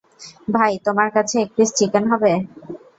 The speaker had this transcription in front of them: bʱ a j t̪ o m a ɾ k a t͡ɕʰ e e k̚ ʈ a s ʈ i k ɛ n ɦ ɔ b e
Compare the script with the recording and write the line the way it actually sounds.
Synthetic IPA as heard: bʱ a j t̪ o m a ɾ k a t͡ɕʰ e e k̚ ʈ i s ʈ i k e n ɦ ɔ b e